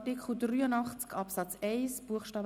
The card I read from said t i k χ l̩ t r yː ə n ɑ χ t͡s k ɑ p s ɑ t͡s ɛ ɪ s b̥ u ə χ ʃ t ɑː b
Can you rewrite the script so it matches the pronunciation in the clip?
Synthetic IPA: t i k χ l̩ d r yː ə n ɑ χ t͡s k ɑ p s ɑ t͡s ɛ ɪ s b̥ u ə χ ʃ t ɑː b